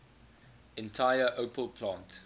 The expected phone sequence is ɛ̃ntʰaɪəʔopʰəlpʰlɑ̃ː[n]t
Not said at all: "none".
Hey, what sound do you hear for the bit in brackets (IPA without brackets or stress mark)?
n